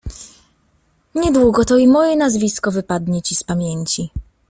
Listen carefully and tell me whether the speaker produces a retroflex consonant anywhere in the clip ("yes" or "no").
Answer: no